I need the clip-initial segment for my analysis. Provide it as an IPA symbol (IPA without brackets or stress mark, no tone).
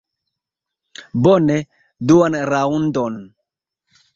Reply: b